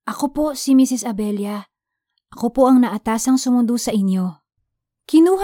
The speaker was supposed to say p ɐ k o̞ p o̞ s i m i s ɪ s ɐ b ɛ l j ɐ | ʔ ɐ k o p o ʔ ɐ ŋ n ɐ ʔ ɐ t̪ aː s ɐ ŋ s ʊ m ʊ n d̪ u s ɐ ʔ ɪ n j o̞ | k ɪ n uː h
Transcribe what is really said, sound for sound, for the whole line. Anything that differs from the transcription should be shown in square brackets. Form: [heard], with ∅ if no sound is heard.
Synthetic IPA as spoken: [ʔ] ɐ k o̞ p o̞ s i m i s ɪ s ɐ b ɛ l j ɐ | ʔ ɐ k o p o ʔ ɐ ŋ n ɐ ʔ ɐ t̪ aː s ɐ ŋ s ʊ m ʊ n d̪ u s ɐ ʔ ɪ n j o̞ | k ɪ n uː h